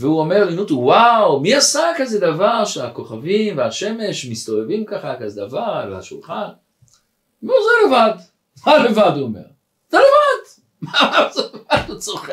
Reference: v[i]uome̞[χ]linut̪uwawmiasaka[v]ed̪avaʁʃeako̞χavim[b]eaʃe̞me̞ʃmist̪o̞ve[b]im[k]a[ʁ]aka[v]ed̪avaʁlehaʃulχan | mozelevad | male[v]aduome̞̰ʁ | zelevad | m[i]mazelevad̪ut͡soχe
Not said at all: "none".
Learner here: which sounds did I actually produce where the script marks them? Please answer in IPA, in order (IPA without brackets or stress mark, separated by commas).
e, ʁ, z, v, v, k, χ, z, v, a